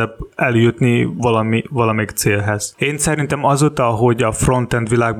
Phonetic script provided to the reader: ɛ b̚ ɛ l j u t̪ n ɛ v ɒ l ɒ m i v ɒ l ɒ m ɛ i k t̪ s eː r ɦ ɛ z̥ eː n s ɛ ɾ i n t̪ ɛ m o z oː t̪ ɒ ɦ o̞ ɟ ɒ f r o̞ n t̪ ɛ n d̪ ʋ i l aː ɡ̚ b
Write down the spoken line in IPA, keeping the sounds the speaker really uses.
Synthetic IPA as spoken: ɛ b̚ ɛ l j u t̪ n i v ɒ l ɒ m i v ɒ l ɒ m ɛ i k t̪ s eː l ɦ ɛ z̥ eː n s ɛ ɾ i n t̪ ɛ m ɒ z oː t̪ ɒ ɦ o̞ ɟ ɒ f r o̞ n t̪ ɛ n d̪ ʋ i l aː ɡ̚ b